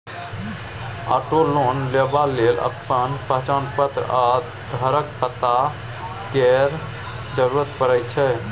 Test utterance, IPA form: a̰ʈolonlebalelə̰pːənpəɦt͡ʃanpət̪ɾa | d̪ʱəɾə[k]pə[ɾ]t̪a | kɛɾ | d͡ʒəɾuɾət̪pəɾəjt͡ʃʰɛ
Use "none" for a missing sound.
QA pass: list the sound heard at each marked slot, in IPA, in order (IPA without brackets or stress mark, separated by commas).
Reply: k, none